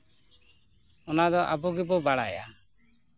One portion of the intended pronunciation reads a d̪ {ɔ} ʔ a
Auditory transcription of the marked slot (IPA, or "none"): ɔ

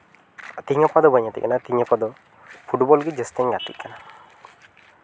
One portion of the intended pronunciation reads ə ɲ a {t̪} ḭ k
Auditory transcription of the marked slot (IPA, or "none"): t̪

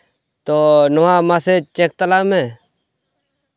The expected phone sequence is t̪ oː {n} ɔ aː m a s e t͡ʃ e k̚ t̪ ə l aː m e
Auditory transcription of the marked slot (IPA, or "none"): n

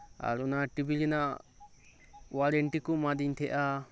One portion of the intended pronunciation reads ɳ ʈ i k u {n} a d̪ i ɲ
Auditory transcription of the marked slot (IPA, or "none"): m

